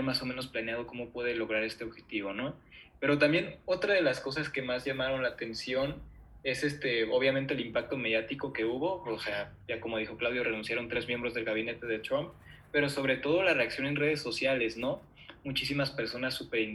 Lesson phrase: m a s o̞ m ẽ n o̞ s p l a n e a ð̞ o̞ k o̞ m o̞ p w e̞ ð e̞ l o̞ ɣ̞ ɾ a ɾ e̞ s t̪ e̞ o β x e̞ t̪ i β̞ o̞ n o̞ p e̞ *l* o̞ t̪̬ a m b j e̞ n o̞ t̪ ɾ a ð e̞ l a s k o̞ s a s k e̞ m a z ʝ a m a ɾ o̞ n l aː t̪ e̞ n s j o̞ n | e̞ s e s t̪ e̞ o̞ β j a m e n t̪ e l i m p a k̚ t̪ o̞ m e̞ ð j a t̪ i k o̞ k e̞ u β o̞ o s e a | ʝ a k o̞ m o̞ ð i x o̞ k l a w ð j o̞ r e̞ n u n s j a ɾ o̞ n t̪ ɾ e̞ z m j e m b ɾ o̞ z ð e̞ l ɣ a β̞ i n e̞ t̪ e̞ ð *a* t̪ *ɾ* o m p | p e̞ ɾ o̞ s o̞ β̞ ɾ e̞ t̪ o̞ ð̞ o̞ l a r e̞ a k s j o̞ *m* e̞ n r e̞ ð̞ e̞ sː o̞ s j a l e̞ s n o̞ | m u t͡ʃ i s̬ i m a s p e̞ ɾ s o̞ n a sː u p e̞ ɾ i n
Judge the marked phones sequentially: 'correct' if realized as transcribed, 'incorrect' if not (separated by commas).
incorrect, incorrect, correct, incorrect